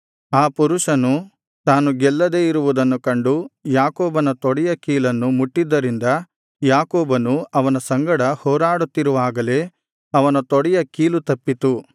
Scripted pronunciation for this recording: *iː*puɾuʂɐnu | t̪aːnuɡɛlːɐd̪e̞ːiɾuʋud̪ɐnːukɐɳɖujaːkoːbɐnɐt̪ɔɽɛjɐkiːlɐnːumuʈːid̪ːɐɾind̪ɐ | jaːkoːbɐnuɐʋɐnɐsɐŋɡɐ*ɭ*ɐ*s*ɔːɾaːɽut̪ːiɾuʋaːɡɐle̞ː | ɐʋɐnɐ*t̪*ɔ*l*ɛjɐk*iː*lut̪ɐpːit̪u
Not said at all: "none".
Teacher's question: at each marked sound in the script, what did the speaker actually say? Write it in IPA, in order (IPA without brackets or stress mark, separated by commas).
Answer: aː, ɽ, h, t̪, ɽ, iː